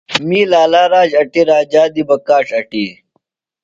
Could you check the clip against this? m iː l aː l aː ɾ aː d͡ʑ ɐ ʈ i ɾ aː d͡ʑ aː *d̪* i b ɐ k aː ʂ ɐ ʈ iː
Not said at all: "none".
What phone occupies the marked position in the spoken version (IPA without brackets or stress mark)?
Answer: d̪